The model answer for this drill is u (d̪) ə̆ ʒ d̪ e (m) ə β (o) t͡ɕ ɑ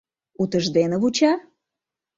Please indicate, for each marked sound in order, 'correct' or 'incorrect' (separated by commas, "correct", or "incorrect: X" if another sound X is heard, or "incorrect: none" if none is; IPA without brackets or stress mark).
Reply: incorrect: t̪, incorrect: n, incorrect: u